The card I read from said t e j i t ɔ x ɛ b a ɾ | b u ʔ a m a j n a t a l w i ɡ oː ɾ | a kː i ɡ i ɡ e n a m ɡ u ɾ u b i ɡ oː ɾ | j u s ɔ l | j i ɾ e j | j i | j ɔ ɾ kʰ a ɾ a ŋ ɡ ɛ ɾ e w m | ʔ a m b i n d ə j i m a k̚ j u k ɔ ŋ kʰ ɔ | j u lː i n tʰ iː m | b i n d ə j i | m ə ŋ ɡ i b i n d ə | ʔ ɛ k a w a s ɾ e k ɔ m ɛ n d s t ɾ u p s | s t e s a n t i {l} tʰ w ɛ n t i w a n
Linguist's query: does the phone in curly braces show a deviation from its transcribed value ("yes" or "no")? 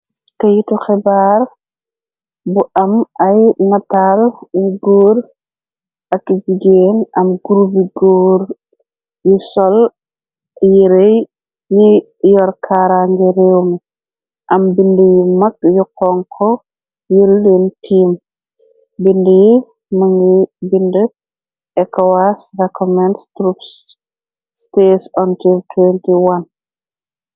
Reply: no